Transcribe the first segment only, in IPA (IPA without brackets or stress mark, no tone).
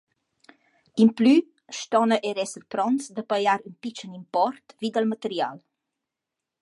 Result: i